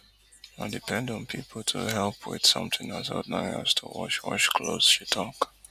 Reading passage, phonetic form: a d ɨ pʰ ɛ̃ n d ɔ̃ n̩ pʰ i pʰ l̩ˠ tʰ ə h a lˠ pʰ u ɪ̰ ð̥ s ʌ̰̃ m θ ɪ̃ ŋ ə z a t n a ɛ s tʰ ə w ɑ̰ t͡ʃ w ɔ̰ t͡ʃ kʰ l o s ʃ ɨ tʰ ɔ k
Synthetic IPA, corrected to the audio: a d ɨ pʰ ɛ̃ n d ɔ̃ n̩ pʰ i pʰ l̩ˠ tʰ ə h ɛ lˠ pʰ w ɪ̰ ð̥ s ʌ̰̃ m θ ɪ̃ ŋ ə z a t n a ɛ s tʰ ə w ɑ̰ t͡ʃ w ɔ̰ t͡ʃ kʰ l o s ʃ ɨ tʰ ɔ k